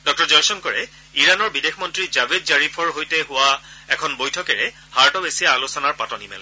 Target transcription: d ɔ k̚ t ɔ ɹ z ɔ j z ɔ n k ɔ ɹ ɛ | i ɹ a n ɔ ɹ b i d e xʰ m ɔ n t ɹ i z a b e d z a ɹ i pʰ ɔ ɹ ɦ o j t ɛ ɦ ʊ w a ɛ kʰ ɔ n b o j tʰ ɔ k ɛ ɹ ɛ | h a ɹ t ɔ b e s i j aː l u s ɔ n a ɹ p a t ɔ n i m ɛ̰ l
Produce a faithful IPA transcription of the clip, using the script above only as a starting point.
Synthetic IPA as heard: d ɔ k̚ t ɔ ɹ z ɔ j s ɔ n k ɔ ɹ ɛ | i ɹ a n ɔ ɹ b i d e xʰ m ɔ n t ɹ i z a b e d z a ɹ i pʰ ɔ ɹ ɦ o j t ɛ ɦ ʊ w a ɛ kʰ ɔ n b o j tʰ ɔ k ɛ ɹ ɛ | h a ɹ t ɔ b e s i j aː l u s ɔ n a ɹ p a t ɔ n i m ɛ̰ l